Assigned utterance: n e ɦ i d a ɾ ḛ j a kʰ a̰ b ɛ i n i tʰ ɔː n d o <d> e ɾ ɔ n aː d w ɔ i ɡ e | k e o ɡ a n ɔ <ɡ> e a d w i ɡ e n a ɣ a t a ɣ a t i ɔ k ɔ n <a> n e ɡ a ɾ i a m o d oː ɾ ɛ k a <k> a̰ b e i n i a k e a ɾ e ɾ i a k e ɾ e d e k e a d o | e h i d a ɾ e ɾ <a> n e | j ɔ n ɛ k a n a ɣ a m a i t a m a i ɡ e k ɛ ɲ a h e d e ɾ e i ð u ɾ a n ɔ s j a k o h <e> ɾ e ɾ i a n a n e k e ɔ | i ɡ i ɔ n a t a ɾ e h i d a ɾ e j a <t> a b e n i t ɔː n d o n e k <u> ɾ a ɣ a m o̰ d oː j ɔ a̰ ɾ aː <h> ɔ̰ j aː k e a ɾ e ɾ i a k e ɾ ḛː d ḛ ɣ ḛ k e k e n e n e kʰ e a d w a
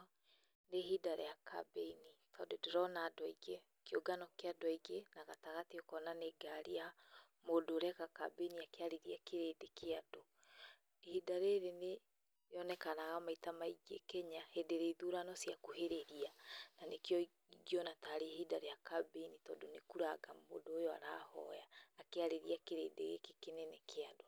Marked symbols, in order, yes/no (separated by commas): yes, no, yes, yes, no, yes, no, yes, yes